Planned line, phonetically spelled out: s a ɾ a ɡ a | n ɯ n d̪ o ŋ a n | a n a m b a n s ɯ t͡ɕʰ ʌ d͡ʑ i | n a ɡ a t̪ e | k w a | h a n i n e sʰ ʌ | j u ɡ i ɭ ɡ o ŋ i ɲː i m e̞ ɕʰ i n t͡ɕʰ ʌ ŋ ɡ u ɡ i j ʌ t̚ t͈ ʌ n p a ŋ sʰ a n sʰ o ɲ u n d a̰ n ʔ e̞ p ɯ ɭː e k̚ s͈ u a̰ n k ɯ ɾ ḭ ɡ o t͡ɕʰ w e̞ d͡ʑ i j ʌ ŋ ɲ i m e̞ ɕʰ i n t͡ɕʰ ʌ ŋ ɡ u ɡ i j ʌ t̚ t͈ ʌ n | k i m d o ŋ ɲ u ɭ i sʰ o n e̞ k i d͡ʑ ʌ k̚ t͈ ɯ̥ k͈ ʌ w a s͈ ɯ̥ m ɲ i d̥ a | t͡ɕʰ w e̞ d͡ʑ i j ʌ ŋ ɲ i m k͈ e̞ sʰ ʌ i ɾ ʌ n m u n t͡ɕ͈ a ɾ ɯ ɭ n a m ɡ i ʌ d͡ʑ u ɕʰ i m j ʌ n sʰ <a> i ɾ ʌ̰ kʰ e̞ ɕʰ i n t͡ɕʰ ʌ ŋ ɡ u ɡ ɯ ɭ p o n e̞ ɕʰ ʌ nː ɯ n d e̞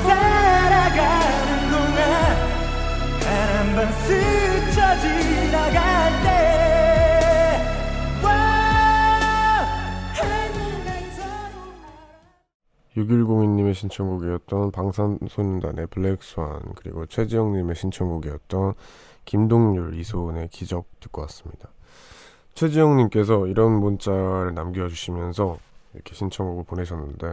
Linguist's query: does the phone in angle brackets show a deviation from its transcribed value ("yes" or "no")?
yes